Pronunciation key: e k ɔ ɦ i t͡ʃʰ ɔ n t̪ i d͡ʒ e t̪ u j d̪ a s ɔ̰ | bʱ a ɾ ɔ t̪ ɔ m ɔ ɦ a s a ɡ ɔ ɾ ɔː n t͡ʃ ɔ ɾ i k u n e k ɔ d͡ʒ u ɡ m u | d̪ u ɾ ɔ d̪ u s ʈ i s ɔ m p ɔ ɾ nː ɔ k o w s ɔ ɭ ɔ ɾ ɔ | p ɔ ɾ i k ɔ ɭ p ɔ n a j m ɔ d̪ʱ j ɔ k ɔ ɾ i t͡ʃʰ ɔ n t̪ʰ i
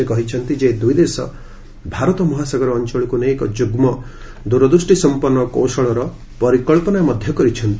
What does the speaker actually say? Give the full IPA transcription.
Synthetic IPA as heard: e k ɔ ɦ i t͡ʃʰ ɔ n t̪ i d͡ʒ e d̪ u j d̪ e s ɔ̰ | bʱ a ɾ ɔ t̪ ɔ m ɔ ɦ a s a ɡ ɔ ɾ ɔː n t͡ʃ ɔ ɭ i k u n e k ɔ d͡ʒ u ɡ m ɔ | d̪ u ɾ ɔ d̪ u s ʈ i s ɔ m p ɔ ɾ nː ɔ k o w s ɔ ɭ ɔ ɾ ɔ | p ɔ ɾ i k ɔ ɭ p ɔ n a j m ɔ d̪ʱ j ɔ k ɔ ɾ i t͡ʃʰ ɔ n t̪ i